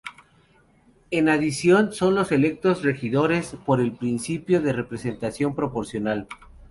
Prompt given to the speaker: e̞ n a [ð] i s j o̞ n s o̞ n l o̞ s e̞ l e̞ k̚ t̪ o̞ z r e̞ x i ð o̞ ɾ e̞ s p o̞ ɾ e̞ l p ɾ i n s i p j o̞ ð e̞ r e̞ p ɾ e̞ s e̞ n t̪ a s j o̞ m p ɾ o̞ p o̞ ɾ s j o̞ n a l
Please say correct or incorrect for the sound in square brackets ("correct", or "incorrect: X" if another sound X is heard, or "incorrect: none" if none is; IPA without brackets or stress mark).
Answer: correct